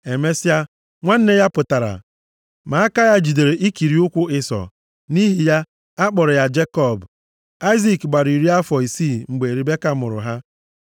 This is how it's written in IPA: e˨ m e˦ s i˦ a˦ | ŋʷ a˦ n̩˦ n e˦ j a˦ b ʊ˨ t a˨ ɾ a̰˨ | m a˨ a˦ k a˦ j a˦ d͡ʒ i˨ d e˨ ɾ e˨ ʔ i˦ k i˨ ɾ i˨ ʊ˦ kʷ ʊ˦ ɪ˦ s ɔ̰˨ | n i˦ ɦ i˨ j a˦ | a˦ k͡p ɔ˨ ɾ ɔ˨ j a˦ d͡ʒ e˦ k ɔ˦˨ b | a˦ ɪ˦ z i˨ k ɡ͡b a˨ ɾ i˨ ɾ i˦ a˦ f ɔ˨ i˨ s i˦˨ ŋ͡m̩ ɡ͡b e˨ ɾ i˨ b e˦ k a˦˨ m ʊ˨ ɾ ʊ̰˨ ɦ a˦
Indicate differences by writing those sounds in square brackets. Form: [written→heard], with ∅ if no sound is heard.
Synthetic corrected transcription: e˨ m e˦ s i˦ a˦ | ŋʷ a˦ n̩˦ n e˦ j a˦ [b→p] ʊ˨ t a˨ ɾ a̰˨ | m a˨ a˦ k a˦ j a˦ d͡ʒ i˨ d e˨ ɾ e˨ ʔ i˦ k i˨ ɾ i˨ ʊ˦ kʷ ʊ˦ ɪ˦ s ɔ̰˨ | n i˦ ɦ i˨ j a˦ | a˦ k͡p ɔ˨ ɾ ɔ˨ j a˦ d͡ʒ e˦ k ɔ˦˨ b | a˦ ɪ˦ z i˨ k ɡ͡b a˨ ɾ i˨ ɾ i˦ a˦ f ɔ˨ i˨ s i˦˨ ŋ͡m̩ ɡ͡b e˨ ɾ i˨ b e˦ k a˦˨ m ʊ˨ ɾ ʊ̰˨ ɦ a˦